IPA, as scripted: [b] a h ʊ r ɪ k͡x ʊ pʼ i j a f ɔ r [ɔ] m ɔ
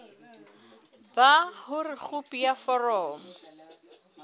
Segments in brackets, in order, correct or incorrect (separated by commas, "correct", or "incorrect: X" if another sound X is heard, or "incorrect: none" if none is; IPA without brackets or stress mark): correct, incorrect: ɔː